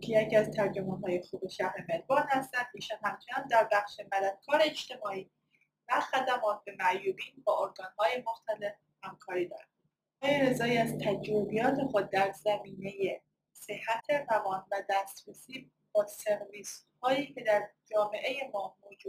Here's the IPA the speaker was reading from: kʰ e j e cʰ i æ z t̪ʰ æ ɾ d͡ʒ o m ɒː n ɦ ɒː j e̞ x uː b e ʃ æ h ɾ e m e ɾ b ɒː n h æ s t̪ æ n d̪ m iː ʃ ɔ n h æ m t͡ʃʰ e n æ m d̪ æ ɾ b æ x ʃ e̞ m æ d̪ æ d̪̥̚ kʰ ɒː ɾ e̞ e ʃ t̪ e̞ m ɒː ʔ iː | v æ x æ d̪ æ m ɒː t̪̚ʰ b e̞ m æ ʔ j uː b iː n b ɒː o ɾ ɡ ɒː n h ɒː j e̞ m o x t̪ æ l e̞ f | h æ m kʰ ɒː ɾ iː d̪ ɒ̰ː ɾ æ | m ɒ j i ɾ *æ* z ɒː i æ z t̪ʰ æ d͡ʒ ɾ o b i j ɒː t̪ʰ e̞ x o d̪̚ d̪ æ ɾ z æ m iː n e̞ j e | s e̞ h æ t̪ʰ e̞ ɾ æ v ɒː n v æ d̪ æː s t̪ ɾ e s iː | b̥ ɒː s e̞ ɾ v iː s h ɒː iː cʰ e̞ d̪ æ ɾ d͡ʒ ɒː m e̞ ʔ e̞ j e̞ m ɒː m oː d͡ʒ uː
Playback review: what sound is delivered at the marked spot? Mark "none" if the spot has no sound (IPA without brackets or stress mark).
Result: e